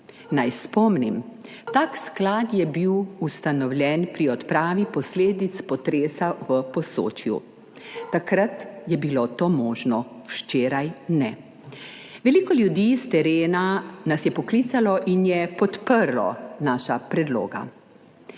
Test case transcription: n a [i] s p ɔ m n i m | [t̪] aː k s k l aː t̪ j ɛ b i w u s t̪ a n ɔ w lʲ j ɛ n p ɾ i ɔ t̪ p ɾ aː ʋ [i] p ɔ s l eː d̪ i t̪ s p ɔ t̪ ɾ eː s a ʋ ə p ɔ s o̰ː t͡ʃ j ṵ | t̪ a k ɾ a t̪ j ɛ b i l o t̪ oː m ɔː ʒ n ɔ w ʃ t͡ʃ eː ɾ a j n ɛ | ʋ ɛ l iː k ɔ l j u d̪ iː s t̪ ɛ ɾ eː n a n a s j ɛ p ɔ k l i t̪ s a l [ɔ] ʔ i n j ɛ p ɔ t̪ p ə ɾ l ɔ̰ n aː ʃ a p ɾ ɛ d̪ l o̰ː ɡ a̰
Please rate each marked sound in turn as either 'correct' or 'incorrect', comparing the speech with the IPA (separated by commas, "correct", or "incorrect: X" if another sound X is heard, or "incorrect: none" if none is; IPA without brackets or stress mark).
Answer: incorrect: j, correct, correct, correct